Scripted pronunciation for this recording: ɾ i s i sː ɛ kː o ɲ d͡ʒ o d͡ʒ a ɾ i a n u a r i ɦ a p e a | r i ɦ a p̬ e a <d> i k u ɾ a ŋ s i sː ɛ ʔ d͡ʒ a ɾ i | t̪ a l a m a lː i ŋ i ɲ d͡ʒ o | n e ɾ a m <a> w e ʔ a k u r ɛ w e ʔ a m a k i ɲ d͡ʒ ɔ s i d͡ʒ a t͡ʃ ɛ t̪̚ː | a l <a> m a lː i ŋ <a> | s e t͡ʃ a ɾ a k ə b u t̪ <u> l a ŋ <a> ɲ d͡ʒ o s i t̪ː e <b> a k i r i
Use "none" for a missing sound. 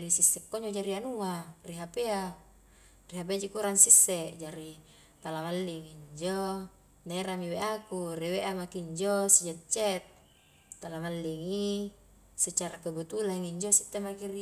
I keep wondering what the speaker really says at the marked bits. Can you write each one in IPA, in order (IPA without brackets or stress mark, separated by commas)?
d͡ʒ, i, a, i, u, i, m